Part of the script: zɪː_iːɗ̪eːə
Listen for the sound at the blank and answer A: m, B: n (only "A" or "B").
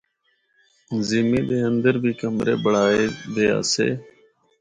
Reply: A